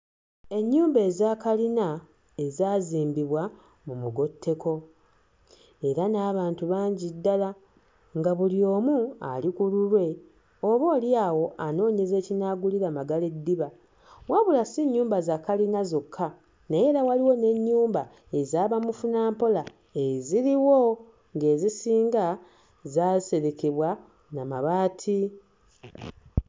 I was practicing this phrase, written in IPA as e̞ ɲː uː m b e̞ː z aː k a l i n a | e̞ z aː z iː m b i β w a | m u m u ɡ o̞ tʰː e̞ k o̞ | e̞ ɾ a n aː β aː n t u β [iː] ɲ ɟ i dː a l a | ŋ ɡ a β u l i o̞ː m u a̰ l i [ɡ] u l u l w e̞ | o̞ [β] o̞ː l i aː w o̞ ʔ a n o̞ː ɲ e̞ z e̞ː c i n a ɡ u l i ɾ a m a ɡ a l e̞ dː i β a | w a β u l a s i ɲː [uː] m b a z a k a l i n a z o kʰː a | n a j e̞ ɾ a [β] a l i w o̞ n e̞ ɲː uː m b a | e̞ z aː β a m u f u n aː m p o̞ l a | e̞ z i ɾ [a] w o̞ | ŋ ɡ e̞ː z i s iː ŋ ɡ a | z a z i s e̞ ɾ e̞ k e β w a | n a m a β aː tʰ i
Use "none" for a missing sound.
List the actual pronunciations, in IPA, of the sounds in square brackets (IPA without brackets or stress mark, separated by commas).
aː, k, β, uː, w, i